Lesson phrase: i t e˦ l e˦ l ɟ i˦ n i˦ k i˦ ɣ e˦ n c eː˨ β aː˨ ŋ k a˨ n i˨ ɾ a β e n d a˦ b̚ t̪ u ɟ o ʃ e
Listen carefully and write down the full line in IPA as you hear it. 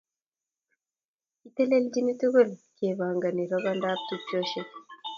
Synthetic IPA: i t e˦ l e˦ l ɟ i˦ n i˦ t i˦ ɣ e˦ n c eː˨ β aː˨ ŋ ɡ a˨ n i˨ ɾ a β a n d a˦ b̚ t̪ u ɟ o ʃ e